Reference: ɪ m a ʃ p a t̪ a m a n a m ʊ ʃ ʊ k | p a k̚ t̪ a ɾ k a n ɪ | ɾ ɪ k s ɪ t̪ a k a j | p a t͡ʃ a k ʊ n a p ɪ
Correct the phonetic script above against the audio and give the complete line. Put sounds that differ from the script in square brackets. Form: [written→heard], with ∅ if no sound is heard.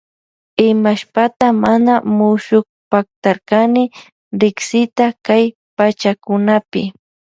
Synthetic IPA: ɪ m a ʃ p a t̪ a m a n a m ʊ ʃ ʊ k | p a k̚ t̪ a ɾ k a n ɪ | ɾ ɪ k s ɪ t̪ a k a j | p a t͡ʃ a k ʊ n a p ɪ